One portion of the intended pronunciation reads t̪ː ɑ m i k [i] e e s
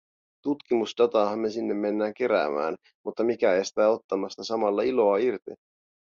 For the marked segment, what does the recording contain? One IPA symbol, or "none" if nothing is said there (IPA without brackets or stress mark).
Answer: æ